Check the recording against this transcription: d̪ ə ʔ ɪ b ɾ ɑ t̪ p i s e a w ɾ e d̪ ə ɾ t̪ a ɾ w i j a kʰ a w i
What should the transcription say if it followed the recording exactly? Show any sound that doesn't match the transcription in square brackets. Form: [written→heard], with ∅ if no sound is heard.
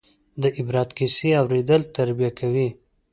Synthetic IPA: d̪ ə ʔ ɪ b ɾ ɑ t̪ [p→k] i s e a w ɾ e d̪ ə [ɾ→l] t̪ a ɾ [w→b] i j a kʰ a w i